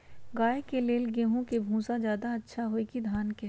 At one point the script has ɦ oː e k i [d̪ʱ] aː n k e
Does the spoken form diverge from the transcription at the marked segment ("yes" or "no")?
no